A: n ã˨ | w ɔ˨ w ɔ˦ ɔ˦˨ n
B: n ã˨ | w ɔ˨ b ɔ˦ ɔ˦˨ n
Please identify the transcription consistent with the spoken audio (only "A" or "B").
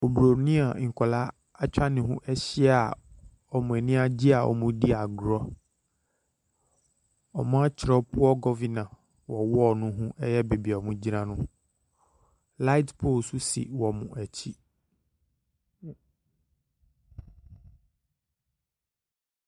A